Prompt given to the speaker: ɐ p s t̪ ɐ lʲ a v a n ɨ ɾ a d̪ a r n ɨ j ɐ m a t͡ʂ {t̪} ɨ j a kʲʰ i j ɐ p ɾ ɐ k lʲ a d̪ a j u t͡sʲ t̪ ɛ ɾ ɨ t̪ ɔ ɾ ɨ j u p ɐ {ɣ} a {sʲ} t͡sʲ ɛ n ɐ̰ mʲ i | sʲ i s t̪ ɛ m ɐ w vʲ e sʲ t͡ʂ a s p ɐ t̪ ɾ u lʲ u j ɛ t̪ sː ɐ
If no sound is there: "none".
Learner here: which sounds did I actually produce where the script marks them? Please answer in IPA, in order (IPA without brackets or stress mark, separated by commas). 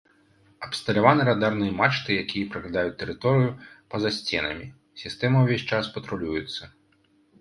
t̪, z, sʲ